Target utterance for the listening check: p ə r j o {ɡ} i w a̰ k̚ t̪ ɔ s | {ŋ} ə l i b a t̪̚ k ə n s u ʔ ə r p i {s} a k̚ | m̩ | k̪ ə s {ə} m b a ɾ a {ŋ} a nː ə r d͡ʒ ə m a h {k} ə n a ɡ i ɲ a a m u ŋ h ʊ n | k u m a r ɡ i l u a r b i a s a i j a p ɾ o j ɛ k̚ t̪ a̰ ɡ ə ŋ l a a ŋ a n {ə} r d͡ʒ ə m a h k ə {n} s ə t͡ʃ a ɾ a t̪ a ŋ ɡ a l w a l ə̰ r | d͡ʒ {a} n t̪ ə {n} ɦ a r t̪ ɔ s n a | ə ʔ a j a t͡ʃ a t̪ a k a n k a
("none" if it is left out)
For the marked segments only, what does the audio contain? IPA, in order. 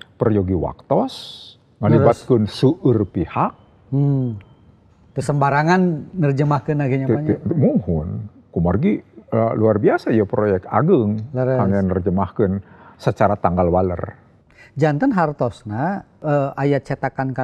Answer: ɡ, ŋ, h, ə, ŋ, k, ə, n, a, n

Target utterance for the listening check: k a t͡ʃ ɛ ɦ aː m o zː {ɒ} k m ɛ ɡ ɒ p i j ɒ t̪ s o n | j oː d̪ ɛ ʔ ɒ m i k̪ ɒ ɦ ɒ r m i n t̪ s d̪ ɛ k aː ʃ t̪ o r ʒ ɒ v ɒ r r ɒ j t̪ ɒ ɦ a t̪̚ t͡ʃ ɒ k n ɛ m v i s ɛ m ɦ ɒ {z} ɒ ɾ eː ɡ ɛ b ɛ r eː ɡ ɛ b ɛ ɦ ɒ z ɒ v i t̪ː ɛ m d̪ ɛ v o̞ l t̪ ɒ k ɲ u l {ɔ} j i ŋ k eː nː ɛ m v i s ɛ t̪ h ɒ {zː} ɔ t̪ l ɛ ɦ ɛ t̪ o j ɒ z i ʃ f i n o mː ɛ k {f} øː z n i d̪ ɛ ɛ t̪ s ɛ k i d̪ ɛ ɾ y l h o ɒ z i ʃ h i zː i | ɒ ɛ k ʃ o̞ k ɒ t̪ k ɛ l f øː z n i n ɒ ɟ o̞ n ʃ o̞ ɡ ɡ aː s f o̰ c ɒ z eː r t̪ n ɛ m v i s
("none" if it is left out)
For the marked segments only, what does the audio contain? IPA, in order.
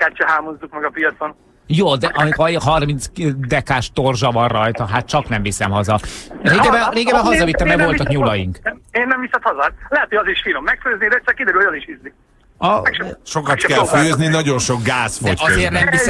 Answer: u, z, ɒ, z, f

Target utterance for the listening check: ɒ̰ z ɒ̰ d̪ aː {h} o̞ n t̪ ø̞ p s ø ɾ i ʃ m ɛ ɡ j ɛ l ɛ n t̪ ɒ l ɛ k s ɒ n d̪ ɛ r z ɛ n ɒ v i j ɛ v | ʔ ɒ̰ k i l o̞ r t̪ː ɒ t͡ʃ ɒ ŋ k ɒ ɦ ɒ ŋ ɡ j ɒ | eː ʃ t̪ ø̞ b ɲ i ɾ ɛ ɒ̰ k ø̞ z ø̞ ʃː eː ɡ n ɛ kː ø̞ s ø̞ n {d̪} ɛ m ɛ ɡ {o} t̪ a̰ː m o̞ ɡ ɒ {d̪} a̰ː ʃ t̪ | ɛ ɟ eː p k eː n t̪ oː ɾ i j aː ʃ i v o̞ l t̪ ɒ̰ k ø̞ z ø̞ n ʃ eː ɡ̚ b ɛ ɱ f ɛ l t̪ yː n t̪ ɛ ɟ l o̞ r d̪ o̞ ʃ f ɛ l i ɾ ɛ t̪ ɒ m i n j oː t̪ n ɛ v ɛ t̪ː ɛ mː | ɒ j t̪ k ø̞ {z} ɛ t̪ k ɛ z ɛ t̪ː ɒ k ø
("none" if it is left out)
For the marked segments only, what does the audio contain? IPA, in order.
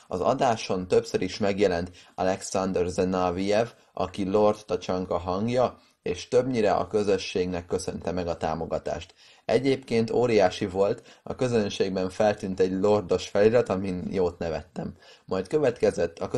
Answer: ʃ, t̪, ɒ, t̪, v

